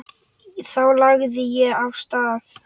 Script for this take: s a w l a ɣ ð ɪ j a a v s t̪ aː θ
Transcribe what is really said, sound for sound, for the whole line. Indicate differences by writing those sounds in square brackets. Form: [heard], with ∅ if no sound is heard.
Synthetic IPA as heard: [θ] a w l a ɣ ð ɪ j [ɛ] a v s t̪ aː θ